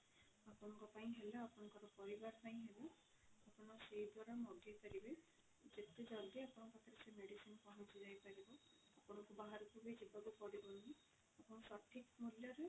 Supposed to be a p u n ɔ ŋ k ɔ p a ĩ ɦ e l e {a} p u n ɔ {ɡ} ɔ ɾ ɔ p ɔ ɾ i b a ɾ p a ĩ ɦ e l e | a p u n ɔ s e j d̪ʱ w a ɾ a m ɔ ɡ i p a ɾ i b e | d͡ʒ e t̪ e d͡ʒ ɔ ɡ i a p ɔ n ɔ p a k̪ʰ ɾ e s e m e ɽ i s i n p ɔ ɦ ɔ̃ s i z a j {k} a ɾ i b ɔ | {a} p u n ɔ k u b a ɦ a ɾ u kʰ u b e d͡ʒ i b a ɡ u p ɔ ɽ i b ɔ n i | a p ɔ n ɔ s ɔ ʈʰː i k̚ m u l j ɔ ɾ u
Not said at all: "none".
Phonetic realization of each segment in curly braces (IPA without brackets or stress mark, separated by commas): a, k, p, a